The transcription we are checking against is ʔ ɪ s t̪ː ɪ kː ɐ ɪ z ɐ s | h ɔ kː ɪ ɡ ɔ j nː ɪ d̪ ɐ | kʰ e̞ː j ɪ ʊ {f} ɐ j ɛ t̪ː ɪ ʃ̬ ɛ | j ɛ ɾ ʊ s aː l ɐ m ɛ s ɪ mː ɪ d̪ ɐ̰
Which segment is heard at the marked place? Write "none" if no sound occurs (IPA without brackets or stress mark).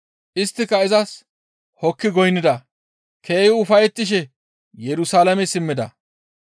f